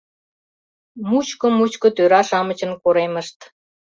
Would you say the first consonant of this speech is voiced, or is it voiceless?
voiced